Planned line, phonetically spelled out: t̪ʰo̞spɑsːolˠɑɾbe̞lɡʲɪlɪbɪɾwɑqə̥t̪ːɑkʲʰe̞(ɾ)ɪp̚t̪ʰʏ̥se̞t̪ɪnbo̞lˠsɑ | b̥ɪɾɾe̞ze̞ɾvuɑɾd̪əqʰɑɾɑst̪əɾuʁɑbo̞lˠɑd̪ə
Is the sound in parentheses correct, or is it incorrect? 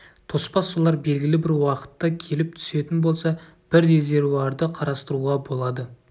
incorrect